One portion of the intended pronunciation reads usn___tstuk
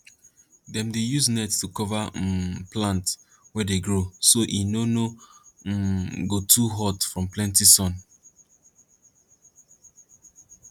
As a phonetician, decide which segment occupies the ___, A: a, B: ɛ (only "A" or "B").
B